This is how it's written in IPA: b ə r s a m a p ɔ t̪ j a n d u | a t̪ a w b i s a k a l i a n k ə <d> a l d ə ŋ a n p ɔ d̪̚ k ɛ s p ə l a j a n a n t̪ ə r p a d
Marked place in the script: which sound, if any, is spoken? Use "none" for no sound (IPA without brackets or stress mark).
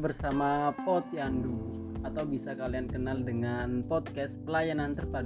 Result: n